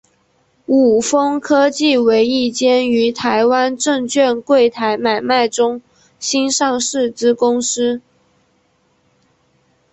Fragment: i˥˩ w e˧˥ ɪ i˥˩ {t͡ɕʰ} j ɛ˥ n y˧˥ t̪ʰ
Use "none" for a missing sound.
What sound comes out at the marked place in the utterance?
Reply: t͡ɕ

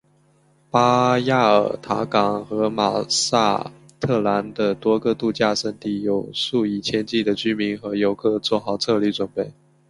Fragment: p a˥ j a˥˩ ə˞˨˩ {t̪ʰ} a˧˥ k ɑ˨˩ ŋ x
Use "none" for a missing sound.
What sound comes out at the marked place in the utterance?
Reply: t̪ʰ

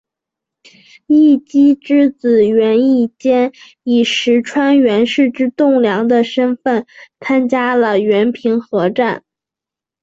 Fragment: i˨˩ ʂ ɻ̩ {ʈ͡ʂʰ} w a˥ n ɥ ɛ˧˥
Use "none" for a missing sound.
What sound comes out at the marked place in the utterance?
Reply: ʈ͡ʂʰ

